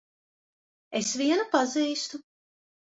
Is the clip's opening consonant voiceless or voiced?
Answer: voiceless